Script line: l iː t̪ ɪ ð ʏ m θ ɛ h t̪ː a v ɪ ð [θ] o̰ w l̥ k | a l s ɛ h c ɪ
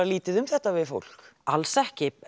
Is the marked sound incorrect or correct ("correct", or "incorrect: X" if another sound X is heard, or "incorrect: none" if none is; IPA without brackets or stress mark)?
incorrect: f